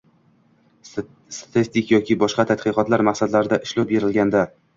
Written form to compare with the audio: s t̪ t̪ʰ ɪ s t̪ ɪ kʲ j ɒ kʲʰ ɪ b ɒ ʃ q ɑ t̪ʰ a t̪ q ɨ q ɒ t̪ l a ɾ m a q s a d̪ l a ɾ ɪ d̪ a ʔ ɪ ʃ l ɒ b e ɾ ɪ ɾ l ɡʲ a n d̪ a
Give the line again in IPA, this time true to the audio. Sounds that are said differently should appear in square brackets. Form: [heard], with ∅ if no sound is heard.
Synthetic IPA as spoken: s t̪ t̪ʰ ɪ s t̪ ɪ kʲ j ɒ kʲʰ ɪ b ɒ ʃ q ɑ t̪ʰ a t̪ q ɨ q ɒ t̪ l a ɾ m a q s a d̪ l a ɾ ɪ d̪ a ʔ ɪ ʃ l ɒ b e ɾ ɪ [∅] l ɡʲ a n d̪ a